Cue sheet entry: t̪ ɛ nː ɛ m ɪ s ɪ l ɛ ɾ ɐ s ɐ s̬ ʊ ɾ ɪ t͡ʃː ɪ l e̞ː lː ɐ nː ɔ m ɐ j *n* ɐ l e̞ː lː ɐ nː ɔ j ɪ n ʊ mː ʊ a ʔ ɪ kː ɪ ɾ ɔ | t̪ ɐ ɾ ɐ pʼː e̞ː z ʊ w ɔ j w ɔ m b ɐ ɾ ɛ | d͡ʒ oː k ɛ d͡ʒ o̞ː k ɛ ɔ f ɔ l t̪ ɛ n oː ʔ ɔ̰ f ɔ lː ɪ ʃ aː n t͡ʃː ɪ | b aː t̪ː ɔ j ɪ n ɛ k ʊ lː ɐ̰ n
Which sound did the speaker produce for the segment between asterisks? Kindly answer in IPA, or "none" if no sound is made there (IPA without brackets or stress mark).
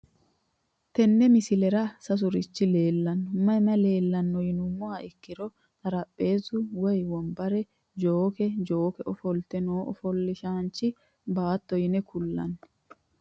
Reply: m